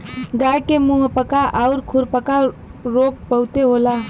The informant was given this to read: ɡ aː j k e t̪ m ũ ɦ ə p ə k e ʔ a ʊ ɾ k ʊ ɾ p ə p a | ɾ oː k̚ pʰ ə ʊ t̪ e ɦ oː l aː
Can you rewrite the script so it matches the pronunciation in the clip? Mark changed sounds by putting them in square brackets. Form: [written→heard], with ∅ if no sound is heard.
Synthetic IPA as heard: ɡ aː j k e [t̪→∅] m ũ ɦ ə p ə k [e→a] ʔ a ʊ ɾ [k→kʰ] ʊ ɾ p ə [p→k] a | ɾ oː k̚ [pʰ→p] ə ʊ t̪ e ɦ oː l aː

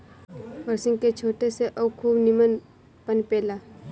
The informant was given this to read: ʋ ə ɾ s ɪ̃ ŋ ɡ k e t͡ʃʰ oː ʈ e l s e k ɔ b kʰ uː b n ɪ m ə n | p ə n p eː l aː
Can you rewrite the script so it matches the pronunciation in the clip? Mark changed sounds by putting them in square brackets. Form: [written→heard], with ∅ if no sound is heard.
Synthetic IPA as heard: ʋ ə ɾ s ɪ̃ ŋ ɡ k e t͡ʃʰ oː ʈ e [l→∅] s e [k→ʔ] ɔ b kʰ uː b n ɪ m ə n | p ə n p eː l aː

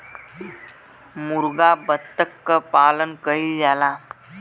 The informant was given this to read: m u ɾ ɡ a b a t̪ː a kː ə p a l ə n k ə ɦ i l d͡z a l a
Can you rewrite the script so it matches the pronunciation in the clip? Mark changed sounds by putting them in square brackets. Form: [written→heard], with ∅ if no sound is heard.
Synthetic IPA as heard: m u ɾ ɡ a b [a→ə] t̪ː [a→ə] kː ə p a l ə n k ə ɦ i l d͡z a l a

